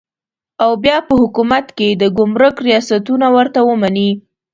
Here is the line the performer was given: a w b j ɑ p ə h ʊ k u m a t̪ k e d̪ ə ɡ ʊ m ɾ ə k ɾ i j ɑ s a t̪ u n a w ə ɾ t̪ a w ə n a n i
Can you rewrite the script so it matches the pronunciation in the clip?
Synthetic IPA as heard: a w b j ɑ p ə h ʊ k u m a t̪ k e d̪ ə ɡ ʊ m ɾ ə k ɾ i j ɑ s a t̪ u n a w ə ɾ t̪ a w ə m a n i